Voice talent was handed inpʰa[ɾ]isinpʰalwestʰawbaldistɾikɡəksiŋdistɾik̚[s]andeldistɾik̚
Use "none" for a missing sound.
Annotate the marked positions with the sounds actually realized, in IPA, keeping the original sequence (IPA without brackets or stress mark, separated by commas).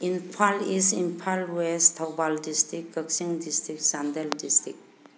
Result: l, s